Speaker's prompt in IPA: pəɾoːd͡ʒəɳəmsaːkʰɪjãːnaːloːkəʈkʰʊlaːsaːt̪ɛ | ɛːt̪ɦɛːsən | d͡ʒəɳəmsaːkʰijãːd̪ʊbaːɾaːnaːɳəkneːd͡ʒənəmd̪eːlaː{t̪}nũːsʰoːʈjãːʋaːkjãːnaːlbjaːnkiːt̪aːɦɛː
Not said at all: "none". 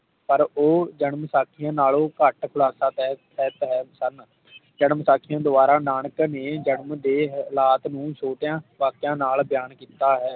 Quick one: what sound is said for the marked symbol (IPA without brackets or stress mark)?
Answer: t̪